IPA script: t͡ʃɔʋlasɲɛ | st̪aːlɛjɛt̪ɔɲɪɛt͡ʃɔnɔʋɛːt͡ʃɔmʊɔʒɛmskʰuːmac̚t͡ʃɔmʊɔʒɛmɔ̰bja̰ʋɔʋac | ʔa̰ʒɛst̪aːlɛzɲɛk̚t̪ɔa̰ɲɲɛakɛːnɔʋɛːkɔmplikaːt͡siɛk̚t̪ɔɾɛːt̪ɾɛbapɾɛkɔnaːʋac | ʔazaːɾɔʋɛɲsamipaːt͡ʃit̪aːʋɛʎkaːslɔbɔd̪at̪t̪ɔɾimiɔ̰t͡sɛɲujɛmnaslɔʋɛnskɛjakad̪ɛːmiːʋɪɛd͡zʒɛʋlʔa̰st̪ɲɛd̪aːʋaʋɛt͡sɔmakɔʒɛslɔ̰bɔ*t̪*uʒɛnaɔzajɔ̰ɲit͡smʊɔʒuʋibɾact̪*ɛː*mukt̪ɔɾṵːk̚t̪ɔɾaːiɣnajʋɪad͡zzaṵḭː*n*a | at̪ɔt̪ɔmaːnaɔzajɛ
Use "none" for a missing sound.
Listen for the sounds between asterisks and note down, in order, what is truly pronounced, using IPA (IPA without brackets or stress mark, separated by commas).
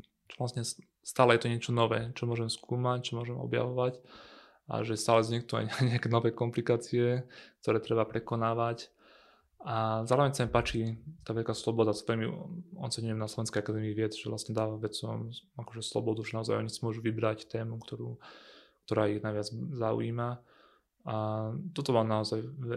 d̪, ɛː, m